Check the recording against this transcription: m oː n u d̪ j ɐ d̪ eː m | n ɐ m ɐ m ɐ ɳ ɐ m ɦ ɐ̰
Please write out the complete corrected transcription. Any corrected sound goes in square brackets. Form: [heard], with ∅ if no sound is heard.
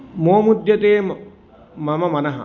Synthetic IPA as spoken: m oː [m] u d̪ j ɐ [t̪] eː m | [m] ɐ m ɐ m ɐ [n] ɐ [∅] ɦ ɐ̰